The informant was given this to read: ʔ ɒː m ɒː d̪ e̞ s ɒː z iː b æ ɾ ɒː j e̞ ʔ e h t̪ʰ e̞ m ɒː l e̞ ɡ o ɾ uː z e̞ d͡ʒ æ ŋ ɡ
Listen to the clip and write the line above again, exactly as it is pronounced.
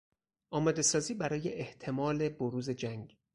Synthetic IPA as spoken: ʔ ɒː m ɒː d̪ e̞ s ɒː z iː b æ ɾ ɒː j e̞ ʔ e h t̪ʰ e̞ m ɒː l e̞ b o ɾ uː z e̞ d͡ʒ æ ŋ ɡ